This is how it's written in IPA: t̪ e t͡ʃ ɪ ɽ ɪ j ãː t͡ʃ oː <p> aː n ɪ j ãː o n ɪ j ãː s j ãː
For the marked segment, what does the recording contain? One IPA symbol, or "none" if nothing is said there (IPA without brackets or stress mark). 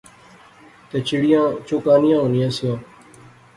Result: k